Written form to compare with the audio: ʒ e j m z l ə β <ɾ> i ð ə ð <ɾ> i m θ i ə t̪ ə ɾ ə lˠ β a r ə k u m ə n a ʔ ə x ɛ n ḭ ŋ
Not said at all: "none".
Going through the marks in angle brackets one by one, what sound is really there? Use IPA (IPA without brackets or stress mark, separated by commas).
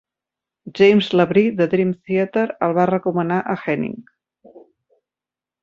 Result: ɾ, ɾ